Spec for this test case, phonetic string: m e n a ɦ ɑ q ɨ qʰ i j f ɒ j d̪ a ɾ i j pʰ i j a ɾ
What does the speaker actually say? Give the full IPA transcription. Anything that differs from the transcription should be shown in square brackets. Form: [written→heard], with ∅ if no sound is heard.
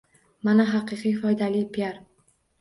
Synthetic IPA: m [e→a] n a ɦ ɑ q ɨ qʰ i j f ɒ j d̪ a [ɾ→l] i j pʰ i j a ɾ